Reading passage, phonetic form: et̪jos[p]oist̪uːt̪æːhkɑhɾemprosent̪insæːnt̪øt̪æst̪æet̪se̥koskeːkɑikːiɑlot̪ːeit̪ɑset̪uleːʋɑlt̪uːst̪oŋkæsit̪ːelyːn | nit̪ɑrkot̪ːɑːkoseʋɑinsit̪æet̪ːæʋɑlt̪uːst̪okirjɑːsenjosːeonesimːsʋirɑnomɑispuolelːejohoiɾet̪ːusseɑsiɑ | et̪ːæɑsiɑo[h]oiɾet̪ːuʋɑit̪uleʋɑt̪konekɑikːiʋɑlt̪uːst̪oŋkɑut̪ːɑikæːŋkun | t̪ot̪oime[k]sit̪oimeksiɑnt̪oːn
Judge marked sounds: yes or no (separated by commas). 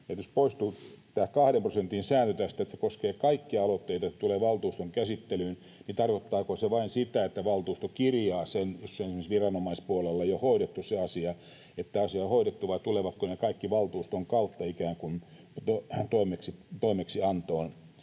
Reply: yes, yes, yes